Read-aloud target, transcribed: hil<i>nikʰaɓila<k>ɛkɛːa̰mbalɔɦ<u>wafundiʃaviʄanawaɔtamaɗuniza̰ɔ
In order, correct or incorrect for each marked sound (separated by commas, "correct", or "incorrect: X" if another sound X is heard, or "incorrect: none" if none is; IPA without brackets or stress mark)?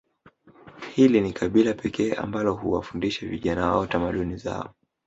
correct, incorrect: p, correct